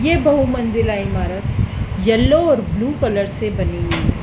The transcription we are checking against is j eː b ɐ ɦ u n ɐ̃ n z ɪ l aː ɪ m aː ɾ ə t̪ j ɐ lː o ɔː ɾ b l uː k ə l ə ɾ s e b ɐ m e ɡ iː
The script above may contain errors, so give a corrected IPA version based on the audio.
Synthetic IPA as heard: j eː b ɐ ɦ u m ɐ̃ n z ɪ l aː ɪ m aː ɾ ə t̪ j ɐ lː o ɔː ɾ b l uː k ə l ə ɾ s e b ɐ n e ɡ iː